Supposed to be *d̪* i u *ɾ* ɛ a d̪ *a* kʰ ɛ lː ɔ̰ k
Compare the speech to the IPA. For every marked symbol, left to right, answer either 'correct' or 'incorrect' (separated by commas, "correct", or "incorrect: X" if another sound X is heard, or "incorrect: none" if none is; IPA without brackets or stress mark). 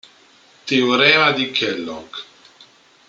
incorrect: t̪, correct, incorrect: i